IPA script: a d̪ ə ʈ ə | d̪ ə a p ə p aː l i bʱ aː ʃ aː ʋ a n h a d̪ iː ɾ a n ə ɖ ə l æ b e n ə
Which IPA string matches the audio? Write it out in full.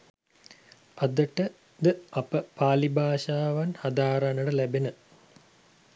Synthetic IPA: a d̪ ə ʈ ə | d̪ ə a p ə p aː l i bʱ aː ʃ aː ʋ a n h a d̪ aː ɾ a n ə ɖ ə l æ b e n ə